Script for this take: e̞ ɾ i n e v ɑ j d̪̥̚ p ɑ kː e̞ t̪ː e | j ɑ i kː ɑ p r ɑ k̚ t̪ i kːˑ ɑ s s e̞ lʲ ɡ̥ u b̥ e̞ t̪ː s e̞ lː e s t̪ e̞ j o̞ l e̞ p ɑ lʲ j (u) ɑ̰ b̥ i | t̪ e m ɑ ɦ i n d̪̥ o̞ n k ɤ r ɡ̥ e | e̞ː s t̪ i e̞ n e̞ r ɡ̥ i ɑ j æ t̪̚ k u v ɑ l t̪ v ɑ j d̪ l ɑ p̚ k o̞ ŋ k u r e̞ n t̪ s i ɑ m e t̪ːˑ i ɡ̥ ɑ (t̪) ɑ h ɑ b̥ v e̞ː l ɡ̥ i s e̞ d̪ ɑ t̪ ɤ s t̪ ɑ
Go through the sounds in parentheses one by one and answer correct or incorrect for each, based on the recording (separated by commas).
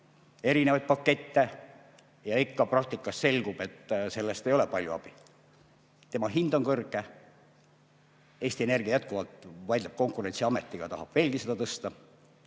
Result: correct, correct